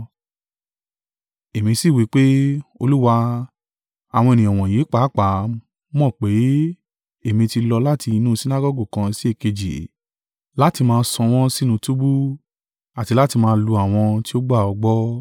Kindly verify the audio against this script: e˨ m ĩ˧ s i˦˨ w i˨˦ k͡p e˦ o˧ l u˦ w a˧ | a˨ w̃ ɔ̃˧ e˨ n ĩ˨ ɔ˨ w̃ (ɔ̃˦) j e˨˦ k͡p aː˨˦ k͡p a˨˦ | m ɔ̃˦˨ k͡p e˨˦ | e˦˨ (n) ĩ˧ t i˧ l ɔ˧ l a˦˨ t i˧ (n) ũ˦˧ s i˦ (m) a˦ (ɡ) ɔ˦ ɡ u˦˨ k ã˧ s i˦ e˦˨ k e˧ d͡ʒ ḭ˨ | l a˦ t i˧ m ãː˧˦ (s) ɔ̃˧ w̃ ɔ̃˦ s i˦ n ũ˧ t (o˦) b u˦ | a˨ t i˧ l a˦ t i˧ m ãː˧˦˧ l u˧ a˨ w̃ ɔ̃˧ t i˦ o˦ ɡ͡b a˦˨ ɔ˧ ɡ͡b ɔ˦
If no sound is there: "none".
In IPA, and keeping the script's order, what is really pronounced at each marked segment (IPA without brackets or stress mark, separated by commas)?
ɔ̃˨, m, n, n, ɡ, s, u˦